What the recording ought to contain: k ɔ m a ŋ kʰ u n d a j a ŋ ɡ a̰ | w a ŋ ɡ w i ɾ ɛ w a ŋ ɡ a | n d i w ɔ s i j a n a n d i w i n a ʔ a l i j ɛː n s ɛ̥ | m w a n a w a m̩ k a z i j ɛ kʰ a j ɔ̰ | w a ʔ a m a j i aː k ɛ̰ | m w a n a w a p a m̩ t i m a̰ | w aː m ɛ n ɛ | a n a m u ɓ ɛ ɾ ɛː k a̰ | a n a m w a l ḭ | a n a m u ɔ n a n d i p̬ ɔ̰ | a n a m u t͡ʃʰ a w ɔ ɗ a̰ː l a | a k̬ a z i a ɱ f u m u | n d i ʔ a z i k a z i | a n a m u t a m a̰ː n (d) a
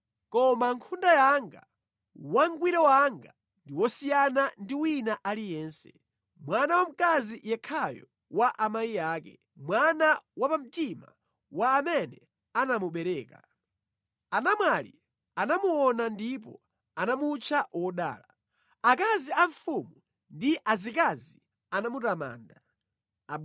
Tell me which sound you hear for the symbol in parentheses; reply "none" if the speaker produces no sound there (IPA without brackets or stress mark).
d